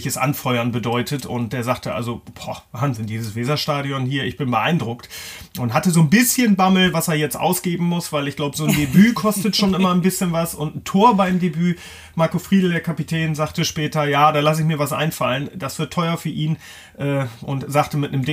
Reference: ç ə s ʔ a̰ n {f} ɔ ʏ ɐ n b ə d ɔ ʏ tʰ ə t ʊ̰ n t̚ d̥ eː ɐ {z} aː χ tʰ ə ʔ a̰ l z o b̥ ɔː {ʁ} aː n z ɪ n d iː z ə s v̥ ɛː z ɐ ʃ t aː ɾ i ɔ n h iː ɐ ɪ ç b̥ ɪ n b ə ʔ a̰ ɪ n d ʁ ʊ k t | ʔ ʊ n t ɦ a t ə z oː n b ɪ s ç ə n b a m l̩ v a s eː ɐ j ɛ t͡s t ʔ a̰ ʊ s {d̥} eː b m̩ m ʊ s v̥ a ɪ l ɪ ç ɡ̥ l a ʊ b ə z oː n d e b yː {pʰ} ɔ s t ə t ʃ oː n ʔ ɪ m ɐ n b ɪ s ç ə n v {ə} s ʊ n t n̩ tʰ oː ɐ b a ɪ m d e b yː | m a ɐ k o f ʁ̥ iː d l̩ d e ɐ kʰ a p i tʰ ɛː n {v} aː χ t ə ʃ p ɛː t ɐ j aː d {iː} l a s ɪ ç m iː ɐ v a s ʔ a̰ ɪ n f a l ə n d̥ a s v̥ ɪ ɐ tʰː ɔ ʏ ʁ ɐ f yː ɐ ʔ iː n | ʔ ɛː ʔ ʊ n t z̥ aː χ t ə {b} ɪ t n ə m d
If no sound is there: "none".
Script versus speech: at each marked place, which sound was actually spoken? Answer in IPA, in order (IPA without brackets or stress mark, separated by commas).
f, z, v, ɡ̥, kʰ, a, z, aː, m